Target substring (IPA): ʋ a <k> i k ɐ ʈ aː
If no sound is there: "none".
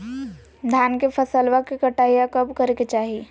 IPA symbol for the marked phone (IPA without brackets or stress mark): k